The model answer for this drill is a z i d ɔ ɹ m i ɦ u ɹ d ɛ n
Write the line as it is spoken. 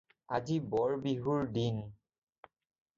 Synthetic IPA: a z i b ɔ ɹ b i ɦ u ɹ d i n